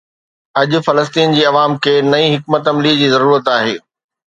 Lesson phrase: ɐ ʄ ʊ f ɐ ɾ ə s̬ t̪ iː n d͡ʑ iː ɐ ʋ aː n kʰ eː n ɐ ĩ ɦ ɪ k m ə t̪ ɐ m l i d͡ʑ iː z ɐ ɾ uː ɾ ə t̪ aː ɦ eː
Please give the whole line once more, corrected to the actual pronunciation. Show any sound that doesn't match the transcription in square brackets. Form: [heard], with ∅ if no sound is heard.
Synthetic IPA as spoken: ɐ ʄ ʊ f ɐ [l] ə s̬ t̪ iː n d͡ʑ iː ɐ ʋ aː [m] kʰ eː n ɐ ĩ ɦ ɪ k m ə t̪ ɐ m l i d͡ʑ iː z ɐ ɾ uː ɾ ə t̪ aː ɦ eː